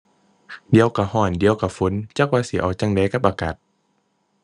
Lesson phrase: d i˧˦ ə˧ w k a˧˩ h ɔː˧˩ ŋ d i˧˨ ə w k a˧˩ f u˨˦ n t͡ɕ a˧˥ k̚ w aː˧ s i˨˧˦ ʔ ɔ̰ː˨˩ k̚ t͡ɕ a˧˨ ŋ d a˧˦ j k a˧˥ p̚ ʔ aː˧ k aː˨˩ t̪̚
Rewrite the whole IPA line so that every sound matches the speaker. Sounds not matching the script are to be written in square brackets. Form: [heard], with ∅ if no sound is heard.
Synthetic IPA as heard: d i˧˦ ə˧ w k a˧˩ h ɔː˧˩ [n] d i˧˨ ə w k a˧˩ f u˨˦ n t͡ɕ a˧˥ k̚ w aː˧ s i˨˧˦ ʔ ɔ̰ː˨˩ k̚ t͡ɕ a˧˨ ŋ d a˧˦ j k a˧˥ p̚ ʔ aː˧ k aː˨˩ t̪̚